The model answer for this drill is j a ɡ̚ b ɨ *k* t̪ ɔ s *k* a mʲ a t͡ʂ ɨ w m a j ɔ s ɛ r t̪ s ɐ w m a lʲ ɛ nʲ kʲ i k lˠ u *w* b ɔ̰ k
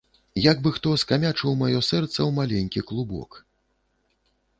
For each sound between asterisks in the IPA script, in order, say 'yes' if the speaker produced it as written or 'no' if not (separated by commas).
no, yes, no